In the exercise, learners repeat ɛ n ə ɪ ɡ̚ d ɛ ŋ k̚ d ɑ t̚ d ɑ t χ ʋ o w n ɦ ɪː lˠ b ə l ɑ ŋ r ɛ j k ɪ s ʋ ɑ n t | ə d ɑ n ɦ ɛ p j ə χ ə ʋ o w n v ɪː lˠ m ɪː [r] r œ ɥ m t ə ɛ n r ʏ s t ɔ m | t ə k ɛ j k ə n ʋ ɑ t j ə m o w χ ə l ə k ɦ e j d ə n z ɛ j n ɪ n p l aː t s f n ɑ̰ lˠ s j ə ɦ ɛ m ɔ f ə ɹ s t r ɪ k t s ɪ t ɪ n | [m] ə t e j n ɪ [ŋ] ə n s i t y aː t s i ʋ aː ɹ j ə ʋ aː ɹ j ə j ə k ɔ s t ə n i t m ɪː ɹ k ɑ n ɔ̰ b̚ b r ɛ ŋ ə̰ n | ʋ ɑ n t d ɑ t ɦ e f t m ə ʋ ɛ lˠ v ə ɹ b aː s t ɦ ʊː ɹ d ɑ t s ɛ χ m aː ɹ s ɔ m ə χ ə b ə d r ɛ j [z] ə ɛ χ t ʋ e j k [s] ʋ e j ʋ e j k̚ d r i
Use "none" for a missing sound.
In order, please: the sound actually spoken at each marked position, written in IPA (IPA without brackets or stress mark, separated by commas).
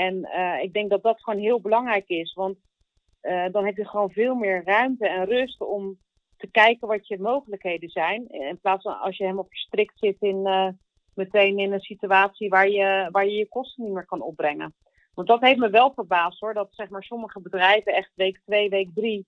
ɹ, m, n, v, t